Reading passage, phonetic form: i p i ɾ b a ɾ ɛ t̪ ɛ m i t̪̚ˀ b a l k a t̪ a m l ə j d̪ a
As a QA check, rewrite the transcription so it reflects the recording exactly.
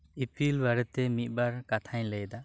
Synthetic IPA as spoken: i p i l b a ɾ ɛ t̪ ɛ m i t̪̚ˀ b a ɾ k a t̪ʰ a ɲ l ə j d̪ a

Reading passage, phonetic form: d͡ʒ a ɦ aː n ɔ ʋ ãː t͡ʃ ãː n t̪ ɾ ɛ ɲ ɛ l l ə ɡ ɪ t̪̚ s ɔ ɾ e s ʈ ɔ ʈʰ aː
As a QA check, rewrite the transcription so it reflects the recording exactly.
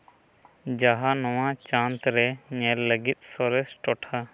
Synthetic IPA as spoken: d͡ʒ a ɦ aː n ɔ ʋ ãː t͡ʃ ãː n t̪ ɾ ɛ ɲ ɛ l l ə ɡ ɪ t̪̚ s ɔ ɾ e s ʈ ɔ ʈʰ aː

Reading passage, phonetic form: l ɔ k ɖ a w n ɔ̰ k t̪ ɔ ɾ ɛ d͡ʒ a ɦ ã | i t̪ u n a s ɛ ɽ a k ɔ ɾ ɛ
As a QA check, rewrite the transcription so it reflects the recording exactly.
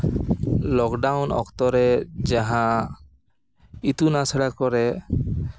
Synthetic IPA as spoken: l ɔ k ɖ a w n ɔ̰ k t̪ ɔ ɾ ɛ d͡ʒ a ɦ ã | i t̪ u n a s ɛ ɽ a k ɔ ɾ ɛ

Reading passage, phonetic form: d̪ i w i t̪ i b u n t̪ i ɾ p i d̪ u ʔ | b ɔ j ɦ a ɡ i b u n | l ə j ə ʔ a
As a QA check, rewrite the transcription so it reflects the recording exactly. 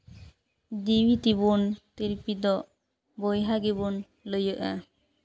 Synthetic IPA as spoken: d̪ i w i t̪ i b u n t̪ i ɾ p i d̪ ɔ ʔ | b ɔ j ɦ a ɡ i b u n | l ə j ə ʔ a

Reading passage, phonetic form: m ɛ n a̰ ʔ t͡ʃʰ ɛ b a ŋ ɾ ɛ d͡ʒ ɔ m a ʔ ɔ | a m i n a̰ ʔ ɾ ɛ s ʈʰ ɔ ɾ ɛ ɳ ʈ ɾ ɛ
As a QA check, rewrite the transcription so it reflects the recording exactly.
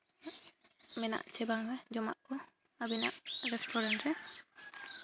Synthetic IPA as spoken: m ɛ n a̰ ʔ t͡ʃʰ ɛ b a ŋ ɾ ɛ d͡ʒ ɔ m a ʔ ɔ | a b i n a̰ ʔ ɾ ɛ s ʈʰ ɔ ɾ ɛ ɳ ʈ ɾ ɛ

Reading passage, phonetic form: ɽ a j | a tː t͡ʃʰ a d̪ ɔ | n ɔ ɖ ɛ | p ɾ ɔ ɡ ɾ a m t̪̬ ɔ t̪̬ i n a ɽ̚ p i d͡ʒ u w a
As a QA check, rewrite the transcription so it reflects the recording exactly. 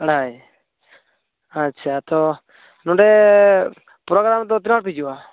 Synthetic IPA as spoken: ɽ a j | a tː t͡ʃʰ a t̪ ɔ | n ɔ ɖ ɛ | p ɾ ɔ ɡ ɾ a m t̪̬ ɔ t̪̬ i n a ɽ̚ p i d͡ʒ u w a

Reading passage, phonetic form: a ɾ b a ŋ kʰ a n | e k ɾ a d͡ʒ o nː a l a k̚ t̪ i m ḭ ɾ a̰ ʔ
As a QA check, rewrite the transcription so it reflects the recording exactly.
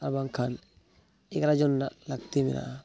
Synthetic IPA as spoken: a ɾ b a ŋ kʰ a n | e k ɾ a d͡ʒ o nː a l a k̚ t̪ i m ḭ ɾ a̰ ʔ

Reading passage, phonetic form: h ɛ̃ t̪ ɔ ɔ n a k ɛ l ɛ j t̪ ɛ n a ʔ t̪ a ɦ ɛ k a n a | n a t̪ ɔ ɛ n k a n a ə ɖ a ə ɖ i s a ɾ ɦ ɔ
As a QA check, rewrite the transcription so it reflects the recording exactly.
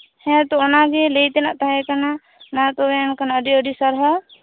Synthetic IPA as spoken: h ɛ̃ t̪ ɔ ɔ n a ɡ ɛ l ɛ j t̪ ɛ n a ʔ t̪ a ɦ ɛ k a n a | n a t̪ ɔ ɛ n k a n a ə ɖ i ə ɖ i s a ɾ ɦ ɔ

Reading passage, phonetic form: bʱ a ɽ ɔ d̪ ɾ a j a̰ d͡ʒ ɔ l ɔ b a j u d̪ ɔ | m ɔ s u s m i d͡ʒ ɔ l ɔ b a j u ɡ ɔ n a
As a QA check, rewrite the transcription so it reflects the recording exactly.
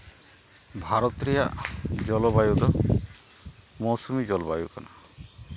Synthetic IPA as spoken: bʱ a ɾ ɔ t̪ ɾ i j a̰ d͡ʒ ɔ l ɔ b a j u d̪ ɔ | m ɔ s u m i d͡ʒ ɔ l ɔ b a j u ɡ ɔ n a

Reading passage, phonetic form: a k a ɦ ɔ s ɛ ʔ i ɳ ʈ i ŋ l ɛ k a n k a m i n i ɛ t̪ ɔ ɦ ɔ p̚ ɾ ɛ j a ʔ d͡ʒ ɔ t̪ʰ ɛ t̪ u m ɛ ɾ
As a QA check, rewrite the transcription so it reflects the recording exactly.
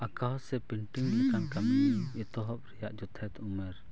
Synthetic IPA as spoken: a k a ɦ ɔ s ɛ p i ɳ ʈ i ŋ l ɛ k a n k a m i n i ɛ t̪ ɔ ɦ ɔ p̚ ɾ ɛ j a ʔ d͡ʒ ɔ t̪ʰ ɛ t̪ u m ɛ ɾ

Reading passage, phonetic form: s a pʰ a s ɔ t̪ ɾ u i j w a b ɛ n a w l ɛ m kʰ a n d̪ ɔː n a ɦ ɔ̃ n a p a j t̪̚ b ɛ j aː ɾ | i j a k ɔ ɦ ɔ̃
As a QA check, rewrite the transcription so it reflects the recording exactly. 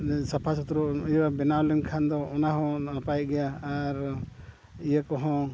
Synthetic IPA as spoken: s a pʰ a s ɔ t̪ ɾ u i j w a b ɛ n a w l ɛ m kʰ a n d̪ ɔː n a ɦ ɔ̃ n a p a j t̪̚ ɡ ɛ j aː ɾ | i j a k ɔ ɦ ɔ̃

